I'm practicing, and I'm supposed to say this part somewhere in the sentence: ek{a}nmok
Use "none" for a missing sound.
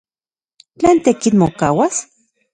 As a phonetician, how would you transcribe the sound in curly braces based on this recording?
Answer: i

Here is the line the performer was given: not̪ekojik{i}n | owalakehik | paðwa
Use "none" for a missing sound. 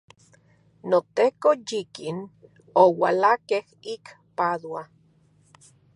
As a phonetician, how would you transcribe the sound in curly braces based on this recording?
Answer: i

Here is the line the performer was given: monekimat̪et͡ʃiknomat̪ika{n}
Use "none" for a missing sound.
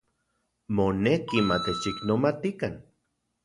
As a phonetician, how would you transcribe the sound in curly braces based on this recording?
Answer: n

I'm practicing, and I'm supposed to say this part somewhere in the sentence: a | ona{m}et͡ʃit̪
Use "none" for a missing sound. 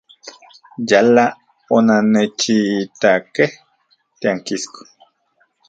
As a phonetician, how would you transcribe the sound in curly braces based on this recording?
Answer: n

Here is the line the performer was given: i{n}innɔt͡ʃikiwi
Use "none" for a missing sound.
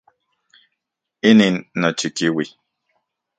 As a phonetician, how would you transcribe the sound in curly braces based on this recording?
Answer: n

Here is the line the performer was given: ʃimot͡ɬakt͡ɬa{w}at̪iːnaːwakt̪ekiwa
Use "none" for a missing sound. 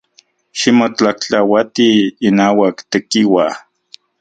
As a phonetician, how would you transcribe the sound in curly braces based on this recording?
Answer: w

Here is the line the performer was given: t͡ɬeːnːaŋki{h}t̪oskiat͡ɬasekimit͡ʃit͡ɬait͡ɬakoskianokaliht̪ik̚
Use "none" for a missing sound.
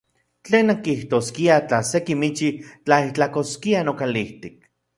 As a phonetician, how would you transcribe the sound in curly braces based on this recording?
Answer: h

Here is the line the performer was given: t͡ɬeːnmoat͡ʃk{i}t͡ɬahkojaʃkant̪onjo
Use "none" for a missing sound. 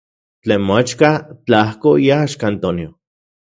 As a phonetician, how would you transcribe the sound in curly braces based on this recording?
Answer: a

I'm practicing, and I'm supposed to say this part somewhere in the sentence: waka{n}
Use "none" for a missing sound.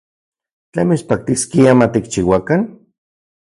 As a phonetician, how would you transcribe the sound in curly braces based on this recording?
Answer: n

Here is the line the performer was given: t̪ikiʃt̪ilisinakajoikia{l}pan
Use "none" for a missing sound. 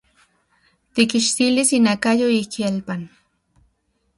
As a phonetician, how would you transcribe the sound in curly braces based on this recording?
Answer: l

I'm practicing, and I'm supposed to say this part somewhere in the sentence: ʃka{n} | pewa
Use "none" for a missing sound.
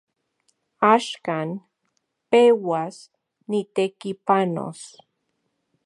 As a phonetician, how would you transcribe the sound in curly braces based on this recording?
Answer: n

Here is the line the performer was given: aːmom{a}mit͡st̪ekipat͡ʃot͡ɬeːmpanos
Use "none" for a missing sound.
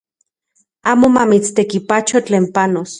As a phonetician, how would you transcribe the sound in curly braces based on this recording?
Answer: a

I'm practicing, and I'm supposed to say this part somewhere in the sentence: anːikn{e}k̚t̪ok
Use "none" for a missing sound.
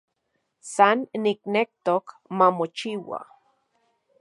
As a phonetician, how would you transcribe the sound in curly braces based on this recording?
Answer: e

